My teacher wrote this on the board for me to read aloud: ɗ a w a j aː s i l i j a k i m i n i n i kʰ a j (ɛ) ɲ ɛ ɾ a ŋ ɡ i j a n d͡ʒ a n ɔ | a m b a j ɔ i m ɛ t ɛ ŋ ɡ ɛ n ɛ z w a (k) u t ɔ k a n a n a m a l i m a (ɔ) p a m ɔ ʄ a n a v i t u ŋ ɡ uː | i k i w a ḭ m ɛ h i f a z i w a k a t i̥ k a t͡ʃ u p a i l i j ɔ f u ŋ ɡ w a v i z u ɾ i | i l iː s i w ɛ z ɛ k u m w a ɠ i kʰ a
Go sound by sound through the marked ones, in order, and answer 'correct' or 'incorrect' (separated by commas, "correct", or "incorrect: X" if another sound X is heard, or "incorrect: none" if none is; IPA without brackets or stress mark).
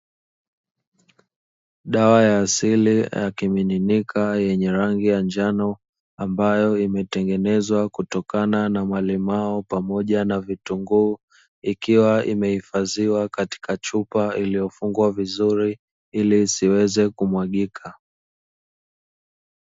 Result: correct, correct, correct